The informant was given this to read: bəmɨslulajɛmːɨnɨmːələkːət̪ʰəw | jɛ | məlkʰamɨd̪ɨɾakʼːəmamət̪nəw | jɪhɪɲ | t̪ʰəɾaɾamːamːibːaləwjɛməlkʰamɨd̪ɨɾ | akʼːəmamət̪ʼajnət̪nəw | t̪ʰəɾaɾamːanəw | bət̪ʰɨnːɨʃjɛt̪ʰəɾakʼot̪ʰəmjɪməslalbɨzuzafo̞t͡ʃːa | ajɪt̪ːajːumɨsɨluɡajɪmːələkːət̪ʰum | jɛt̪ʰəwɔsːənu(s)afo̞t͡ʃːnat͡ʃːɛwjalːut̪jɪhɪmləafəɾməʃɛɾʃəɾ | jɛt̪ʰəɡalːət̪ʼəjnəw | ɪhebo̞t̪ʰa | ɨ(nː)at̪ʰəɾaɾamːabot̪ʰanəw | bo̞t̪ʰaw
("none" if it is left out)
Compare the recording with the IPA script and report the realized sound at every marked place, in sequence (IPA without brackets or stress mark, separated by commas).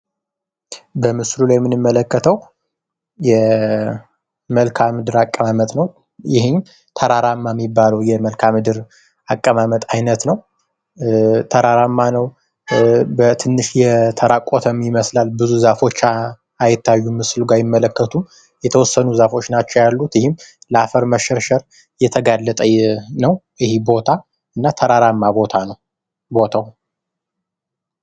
z, nː